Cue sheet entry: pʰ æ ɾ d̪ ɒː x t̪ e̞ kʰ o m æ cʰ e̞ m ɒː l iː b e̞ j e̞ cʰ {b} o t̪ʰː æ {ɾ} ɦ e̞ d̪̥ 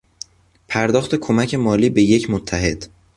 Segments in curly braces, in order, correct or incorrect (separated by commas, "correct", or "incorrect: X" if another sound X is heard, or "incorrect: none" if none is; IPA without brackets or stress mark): incorrect: m, incorrect: none